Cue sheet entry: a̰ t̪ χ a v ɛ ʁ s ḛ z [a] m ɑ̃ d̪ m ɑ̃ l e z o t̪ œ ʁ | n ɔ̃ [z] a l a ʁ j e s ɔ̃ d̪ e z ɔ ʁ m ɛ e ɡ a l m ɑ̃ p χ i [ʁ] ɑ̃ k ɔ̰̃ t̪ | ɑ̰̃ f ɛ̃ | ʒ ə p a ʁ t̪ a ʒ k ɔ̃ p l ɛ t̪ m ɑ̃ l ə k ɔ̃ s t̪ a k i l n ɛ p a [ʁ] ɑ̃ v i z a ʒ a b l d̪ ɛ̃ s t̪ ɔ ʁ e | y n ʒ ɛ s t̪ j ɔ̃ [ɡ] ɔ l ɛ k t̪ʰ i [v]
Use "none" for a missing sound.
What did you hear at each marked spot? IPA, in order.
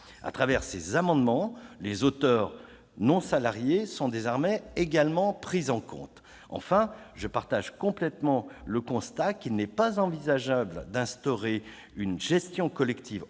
a, s, z, z, k, v

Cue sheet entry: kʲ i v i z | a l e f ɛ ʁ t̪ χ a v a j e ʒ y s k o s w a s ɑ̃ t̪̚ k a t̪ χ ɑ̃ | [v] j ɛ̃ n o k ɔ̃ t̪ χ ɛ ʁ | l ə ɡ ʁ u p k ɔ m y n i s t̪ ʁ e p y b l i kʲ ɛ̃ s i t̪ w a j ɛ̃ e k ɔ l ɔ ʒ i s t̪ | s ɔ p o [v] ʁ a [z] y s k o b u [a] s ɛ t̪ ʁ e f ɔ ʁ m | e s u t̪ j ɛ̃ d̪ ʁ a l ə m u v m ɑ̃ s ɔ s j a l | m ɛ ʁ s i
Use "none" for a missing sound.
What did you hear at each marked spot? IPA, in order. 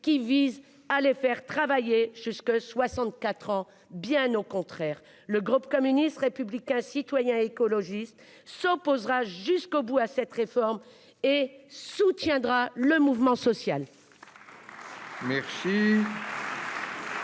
b, z, ʒ, a

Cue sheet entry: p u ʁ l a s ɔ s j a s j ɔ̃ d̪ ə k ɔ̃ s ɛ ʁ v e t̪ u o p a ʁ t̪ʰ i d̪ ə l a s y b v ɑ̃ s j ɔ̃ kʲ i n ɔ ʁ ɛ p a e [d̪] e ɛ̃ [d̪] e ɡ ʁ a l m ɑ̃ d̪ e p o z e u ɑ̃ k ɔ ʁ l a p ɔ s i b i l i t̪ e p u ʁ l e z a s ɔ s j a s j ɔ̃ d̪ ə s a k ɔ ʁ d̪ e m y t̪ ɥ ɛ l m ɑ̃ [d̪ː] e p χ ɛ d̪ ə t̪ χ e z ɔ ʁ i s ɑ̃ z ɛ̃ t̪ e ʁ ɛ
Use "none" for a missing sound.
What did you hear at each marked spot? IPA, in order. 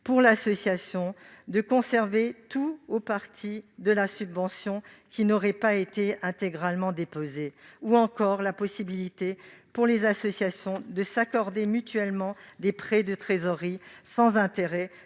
t̪, t̪, d̪

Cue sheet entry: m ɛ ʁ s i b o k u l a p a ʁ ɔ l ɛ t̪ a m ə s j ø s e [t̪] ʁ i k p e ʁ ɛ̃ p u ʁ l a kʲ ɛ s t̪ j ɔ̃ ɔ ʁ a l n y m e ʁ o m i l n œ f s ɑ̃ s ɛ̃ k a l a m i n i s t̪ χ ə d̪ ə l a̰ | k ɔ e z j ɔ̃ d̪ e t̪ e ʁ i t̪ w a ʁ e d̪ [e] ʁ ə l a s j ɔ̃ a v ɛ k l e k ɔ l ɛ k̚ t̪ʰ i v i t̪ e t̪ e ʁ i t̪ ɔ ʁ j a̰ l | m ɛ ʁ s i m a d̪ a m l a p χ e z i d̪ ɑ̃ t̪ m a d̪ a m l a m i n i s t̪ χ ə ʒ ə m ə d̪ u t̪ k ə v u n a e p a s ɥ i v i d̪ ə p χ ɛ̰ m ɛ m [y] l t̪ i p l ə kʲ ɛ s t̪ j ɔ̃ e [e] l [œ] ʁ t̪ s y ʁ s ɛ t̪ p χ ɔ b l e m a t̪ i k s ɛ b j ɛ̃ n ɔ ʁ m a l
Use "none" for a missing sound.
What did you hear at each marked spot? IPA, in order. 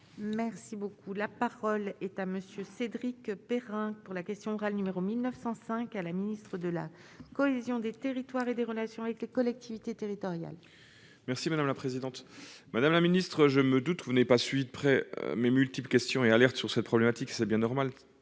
d̪, e, y, a, ɛ

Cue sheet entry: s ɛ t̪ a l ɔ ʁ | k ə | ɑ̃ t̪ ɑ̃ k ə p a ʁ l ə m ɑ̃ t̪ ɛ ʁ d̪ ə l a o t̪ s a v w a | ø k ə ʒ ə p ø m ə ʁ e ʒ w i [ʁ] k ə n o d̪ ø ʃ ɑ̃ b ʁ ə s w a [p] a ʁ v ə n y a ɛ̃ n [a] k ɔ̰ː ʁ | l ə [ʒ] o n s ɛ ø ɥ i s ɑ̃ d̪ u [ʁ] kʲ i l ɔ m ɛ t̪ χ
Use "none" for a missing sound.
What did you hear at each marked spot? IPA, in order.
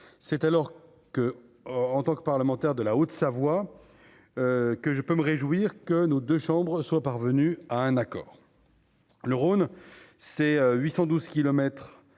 ʁ, p, a, ʁ, z

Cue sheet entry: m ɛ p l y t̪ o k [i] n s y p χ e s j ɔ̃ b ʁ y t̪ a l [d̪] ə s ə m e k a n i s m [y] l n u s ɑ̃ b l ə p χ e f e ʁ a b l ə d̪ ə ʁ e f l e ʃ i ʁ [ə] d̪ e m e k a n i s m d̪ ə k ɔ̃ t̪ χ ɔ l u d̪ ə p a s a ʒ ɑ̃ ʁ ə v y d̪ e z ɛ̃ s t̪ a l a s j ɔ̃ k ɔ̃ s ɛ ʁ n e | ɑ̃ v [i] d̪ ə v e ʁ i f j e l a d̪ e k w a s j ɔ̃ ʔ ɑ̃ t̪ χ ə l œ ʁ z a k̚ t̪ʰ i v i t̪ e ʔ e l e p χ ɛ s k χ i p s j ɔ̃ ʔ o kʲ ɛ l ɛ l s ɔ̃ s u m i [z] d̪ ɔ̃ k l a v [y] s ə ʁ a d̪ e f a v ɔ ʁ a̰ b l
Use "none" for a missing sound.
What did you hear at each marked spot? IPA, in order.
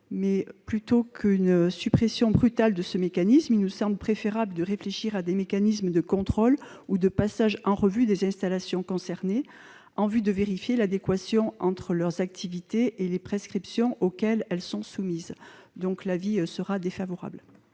y, d̪, i, a, y, z, i

